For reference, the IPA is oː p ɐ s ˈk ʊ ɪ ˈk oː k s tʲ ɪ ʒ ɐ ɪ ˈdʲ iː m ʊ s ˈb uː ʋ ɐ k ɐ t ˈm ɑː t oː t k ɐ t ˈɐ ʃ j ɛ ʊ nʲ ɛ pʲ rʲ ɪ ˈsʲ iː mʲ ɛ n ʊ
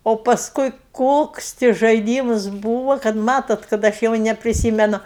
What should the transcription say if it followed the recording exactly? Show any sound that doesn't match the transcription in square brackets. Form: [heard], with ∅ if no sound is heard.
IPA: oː p ɐ s ˈk ʊ ɪ ˈk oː k s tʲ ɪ ʒ ɐ ɪ ˈdʲ iː m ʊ s ˈb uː ʋ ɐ k ɐ t ˈm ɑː t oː t k ɐ t ˈɐ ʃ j ɛ ʊ nʲ ɛ pʲ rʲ ɪ ˈsʲ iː mʲ ɛ n ʊ